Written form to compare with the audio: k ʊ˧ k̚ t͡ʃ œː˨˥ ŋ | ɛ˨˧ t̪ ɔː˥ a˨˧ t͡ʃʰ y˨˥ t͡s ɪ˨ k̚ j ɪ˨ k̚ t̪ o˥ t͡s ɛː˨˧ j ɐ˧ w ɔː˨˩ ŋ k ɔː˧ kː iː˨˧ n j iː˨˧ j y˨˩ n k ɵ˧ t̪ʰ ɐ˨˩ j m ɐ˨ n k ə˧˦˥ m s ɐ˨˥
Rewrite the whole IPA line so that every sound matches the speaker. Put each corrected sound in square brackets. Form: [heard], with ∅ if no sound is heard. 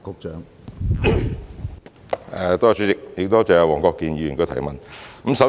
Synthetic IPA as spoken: k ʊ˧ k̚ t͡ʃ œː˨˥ ŋ | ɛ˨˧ t̪ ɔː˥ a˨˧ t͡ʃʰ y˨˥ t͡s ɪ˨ k̚ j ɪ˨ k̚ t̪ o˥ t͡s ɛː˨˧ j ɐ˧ w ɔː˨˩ ŋ k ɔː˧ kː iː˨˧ n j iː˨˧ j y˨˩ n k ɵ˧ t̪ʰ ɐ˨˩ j m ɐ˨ n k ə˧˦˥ m s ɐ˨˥